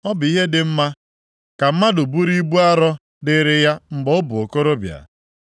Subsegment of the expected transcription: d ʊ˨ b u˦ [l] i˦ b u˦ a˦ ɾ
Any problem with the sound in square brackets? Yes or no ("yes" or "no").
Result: yes